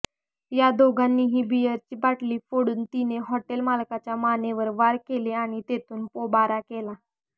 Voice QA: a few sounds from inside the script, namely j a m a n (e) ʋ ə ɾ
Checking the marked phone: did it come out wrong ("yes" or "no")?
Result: no